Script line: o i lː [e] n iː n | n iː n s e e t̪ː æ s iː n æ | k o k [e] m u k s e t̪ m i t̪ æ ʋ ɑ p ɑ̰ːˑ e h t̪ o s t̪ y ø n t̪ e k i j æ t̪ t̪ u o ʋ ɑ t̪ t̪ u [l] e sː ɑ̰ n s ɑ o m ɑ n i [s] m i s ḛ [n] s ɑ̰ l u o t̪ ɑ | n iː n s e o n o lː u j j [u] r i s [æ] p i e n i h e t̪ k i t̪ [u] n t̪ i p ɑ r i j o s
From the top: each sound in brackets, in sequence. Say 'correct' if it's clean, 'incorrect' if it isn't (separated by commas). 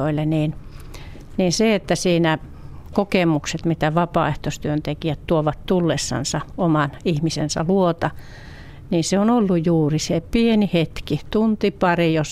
correct, correct, incorrect, incorrect, correct, incorrect, incorrect, correct